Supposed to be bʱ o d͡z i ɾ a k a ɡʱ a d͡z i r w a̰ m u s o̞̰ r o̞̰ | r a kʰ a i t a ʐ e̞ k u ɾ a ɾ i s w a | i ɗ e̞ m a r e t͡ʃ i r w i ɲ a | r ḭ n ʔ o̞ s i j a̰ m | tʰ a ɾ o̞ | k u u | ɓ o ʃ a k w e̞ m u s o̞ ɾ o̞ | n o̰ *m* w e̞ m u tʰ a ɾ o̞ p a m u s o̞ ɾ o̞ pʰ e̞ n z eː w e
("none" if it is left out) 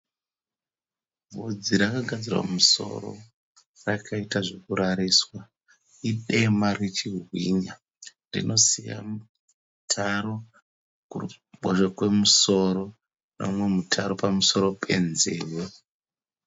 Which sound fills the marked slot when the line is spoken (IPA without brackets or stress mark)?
m